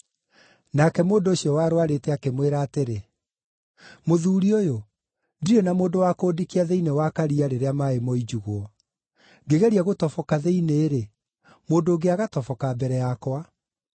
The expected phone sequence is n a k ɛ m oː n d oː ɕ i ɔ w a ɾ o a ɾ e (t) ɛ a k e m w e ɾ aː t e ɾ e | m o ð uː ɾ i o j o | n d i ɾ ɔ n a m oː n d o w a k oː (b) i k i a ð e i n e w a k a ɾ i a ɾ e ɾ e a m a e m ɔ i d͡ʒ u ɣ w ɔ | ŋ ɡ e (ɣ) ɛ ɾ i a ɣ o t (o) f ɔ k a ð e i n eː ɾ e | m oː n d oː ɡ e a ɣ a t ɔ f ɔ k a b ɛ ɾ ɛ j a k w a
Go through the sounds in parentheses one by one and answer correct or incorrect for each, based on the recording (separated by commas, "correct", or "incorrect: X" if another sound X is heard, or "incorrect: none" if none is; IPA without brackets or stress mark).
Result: correct, incorrect: d, correct, incorrect: ɔ